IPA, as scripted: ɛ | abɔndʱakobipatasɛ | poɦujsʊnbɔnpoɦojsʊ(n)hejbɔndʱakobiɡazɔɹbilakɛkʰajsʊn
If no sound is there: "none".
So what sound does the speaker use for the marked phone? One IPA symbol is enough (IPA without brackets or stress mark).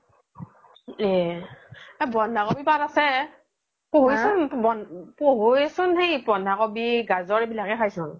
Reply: n